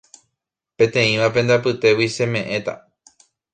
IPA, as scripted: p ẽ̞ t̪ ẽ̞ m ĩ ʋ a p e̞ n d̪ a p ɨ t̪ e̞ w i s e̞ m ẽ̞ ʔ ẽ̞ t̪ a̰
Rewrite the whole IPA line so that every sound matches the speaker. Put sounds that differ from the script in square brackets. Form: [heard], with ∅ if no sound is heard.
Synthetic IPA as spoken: p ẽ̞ t̪ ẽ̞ [∅] ĩ ʋ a p e̞ n d̪ a p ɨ t̪ e̞ w i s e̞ m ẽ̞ ʔ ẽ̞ t̪ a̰